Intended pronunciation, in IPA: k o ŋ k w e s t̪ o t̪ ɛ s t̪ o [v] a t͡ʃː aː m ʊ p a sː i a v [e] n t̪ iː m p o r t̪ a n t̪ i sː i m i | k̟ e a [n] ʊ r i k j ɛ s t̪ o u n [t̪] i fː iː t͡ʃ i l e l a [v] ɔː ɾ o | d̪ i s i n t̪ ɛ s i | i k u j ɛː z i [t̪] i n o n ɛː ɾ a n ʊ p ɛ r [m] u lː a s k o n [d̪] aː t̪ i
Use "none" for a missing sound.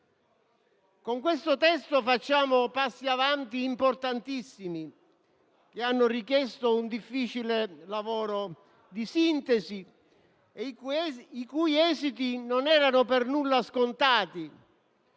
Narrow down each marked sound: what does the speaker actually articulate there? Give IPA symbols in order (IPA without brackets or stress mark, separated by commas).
f, a, nː, d̪, v, t̪, n, t̪